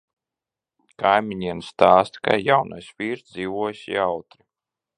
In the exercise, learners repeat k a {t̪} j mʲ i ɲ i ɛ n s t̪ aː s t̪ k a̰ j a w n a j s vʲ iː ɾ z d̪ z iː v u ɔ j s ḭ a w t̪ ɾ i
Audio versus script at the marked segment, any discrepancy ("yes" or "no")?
yes